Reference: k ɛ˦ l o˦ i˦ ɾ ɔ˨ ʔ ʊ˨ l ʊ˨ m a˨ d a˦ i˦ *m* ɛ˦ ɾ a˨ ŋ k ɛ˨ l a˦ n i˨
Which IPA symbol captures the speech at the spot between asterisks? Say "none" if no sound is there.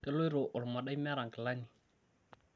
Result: m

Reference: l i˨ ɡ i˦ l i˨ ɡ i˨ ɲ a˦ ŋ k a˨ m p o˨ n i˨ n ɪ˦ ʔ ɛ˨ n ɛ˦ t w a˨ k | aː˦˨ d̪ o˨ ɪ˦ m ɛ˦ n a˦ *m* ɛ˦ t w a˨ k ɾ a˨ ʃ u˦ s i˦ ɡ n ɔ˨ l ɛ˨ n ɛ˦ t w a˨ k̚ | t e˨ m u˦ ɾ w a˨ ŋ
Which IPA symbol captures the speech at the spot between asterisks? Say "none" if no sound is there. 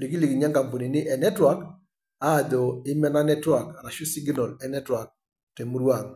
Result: n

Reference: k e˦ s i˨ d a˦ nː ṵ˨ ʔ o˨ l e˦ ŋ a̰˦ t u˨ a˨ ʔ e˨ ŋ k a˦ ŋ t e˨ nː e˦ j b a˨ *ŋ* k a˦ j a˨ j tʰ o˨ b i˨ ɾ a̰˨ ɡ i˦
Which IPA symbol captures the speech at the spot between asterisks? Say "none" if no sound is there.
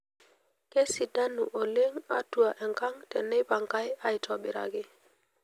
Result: ŋ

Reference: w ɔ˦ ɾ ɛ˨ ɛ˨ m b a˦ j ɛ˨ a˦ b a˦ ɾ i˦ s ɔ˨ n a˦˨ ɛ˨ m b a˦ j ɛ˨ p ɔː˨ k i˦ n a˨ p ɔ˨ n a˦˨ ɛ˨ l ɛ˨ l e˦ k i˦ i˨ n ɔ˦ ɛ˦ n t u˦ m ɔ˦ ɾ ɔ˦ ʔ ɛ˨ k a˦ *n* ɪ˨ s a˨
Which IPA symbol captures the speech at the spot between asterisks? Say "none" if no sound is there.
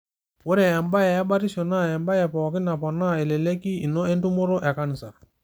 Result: n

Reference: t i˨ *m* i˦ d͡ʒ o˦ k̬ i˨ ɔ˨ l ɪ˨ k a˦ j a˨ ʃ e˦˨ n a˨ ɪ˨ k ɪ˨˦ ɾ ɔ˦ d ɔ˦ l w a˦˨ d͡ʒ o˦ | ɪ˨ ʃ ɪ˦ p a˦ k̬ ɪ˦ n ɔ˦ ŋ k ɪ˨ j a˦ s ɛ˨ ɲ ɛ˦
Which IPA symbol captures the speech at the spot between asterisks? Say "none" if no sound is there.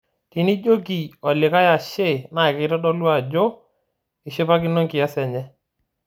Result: n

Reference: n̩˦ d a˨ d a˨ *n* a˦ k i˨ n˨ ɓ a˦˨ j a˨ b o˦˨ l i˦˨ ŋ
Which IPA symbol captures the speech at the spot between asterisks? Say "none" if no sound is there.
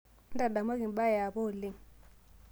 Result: m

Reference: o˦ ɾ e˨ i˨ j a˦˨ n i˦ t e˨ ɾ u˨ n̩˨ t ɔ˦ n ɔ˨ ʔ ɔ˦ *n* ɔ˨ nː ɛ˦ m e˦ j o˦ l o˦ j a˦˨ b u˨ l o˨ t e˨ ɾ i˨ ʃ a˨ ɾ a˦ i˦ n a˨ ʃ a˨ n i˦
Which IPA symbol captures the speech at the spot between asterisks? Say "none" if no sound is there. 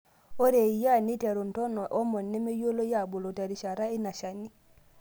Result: m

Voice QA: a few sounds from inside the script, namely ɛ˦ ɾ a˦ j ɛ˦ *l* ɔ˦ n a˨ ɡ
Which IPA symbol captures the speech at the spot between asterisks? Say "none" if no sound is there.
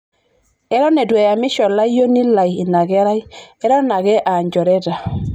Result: ɾ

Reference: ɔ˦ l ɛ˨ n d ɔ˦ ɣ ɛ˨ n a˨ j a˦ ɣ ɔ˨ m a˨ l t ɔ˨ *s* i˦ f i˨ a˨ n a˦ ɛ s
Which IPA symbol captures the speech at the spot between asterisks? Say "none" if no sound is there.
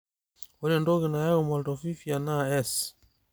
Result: f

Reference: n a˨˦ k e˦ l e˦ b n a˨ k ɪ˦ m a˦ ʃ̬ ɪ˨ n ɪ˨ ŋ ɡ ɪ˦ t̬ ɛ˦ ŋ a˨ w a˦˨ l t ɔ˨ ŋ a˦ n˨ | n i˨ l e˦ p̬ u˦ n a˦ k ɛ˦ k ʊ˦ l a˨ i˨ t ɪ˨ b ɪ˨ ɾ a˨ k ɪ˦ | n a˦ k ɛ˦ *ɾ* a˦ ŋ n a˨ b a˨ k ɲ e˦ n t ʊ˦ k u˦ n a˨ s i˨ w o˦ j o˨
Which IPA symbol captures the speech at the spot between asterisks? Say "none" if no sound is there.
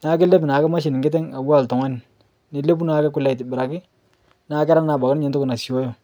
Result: ɾ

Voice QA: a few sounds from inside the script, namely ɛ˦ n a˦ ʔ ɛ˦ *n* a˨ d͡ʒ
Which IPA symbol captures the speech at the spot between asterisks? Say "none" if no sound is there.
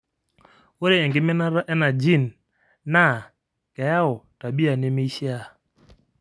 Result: n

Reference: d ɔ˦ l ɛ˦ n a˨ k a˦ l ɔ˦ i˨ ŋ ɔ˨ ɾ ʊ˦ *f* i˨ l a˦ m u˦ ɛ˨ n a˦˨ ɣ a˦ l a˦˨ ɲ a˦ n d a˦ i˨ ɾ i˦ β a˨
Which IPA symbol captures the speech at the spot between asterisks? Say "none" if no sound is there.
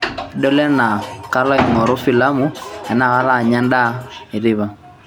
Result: f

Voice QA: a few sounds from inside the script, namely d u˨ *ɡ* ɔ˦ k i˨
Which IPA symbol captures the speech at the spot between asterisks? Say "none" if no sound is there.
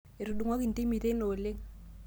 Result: ŋ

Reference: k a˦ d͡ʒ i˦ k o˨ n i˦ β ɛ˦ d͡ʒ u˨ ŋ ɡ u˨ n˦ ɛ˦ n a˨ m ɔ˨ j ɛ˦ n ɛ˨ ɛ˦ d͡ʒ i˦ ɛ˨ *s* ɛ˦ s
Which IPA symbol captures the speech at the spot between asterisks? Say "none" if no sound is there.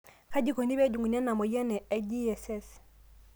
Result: s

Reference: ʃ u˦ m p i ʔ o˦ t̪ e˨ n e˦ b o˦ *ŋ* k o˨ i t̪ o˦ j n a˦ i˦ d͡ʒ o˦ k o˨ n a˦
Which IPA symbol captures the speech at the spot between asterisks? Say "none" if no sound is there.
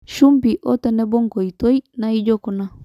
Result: ŋ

